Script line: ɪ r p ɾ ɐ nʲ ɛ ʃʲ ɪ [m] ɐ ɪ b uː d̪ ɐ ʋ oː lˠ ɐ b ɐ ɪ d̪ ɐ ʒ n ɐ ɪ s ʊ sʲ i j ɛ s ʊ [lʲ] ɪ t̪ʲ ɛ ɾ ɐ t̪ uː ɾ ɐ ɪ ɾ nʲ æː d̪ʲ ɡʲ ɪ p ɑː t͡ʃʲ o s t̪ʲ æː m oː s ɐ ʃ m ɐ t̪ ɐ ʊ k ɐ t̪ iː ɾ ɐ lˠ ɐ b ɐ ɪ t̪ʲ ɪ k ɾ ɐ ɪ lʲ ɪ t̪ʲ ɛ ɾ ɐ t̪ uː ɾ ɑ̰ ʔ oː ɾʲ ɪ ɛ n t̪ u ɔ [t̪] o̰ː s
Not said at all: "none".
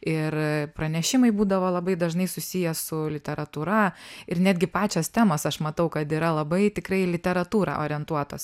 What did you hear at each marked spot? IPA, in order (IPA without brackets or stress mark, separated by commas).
m, lʲ, t̪